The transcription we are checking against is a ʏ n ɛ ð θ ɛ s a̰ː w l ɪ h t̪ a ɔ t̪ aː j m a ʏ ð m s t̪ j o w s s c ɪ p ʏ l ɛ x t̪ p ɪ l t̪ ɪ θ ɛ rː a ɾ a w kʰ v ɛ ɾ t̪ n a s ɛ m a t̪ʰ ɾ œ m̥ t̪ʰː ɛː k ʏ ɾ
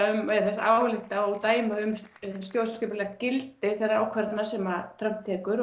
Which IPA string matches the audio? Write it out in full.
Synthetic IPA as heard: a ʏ m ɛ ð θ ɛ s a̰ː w l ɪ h t̪ a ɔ t̪ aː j m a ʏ m s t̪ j o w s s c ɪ p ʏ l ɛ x t̪ c ɪ l t̪ ɪ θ ɛ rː a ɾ a w kʰ v ɛ ɾ t̪ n a s ɛ m a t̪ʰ ɾ œ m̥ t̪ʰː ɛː k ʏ ɾ